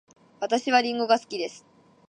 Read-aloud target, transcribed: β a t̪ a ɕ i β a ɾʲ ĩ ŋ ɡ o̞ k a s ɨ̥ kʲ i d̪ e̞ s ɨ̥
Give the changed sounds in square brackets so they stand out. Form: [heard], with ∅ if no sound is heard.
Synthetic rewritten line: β a t̪ a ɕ i β a ɾʲ ĩ ŋ ɡ o̞ [ɡ] a s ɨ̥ kʲ i d̪ e̞ s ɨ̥

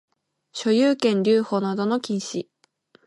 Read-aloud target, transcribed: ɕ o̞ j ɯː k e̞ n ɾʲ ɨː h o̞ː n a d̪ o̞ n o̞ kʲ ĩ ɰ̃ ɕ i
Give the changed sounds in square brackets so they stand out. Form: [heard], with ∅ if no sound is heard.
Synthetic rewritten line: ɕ o̞ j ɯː k [ẽ̞] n ɾʲ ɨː h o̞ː n a d̪ o̞ n o̞ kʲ ĩ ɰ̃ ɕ i

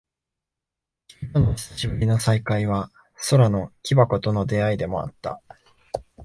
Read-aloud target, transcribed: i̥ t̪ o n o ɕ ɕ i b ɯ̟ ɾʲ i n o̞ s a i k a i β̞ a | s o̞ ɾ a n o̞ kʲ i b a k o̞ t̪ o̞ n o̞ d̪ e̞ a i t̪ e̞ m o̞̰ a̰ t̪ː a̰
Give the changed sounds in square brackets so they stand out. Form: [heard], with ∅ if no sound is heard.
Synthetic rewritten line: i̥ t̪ o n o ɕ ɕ i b ɯ̟ ɾʲ i n o̞ s a i k a i β̞ a | s o̞ ɾ a n o̞ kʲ i b a k o̞ t̪ o̞ n o̞ d̪ e̞ a i [d̪] e̞ m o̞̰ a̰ t̪ː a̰

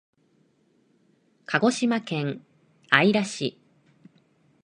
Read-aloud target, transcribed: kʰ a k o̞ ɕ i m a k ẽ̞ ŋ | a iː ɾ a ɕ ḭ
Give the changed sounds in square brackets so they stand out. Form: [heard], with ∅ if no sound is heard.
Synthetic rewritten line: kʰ a [ɡ] o̞ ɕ i m a k ẽ̞ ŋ | a [i] ɾ a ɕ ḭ

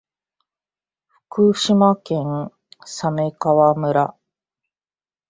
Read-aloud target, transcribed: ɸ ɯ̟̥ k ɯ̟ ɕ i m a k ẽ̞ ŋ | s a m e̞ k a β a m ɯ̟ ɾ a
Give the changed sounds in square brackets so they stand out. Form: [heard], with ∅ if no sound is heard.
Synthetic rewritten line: ɸ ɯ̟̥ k ɯ̟ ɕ i m a k ẽ̞ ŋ | s a m e̞ k a β a m ɯ̟ ɾ a

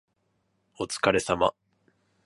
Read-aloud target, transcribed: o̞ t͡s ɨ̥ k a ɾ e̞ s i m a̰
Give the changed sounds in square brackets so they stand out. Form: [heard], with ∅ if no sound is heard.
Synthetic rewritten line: o̞ t͡s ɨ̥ k a ɾ e̞ s [a] m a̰

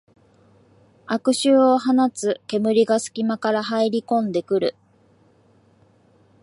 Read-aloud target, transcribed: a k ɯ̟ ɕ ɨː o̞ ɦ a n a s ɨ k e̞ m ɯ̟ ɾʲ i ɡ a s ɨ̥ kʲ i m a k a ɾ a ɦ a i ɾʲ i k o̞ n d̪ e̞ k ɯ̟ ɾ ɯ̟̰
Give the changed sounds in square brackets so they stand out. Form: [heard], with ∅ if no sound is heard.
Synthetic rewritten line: a k ɯ̟ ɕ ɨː o̞ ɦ a n a [t͡s] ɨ k e̞ m ɯ̟ ɾʲ i ɡ a s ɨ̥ kʲ i m a k a ɾ a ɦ a i ɾʲ i k [õ̞] n d̪ e̞ k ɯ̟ ɾ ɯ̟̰

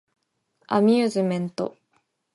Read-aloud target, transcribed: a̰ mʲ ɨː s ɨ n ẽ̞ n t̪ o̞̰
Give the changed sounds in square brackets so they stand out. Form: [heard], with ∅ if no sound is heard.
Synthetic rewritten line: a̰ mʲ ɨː [z] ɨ [m] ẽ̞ n t̪ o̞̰

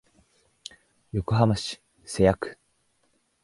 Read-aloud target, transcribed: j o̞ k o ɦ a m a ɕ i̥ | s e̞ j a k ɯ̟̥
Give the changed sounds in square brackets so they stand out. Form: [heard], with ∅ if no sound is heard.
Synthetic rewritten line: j o̞ k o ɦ a m a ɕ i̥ | s e̞ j a k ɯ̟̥

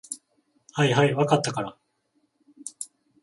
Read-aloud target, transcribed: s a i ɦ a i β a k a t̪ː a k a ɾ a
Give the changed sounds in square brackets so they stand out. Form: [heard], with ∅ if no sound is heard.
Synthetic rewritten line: [h] a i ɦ a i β a k a t̪ː a k a ɾ a

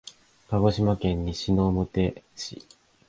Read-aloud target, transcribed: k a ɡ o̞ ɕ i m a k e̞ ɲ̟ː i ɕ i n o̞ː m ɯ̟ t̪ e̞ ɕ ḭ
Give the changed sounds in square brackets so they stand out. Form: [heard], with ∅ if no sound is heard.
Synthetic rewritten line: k a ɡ o̞ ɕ i m a k [ẽ̞] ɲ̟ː i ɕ i n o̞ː m ɯ̟ t̪ e̞ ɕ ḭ

